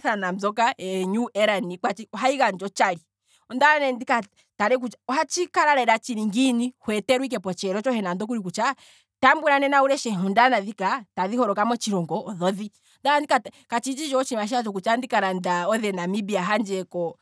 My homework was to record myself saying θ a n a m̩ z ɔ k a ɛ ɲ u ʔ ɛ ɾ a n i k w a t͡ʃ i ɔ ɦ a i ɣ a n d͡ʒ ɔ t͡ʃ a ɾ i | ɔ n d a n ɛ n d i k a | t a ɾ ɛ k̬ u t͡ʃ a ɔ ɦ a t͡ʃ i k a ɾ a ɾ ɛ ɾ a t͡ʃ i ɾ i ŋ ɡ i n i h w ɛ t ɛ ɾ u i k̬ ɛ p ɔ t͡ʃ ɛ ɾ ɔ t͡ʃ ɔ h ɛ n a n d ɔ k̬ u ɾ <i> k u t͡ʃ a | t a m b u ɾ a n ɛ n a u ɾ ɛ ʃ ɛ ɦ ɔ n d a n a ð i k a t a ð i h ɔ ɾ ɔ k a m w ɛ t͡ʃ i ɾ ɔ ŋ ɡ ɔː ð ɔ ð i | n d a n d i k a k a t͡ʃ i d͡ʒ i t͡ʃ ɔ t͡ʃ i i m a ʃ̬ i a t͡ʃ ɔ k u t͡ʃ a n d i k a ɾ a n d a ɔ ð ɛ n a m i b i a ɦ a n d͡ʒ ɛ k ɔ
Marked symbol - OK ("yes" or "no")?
yes